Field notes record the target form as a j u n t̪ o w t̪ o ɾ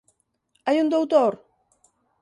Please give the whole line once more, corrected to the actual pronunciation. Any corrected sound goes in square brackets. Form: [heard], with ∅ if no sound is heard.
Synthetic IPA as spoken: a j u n [d̪] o w t̪ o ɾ